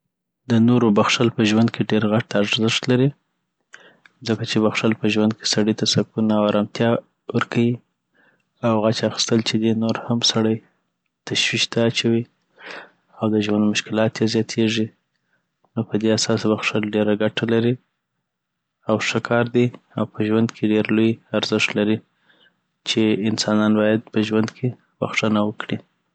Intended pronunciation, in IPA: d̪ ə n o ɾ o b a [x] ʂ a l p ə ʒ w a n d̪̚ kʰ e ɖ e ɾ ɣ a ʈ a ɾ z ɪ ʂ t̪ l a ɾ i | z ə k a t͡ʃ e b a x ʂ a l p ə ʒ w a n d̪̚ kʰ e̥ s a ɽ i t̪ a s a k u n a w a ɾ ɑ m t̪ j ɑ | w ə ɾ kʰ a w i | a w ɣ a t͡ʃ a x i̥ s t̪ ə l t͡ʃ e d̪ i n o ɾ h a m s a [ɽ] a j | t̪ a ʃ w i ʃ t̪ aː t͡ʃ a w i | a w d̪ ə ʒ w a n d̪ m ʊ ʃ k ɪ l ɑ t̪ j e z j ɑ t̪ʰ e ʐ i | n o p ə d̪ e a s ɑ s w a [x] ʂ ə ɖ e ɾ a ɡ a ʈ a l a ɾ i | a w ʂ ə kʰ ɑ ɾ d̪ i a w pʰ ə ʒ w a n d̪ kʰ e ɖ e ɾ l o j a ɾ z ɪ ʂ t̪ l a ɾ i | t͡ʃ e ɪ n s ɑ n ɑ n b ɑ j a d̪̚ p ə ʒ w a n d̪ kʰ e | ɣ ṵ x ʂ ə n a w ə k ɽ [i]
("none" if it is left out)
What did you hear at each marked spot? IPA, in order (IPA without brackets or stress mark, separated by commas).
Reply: x, ɽ, x, i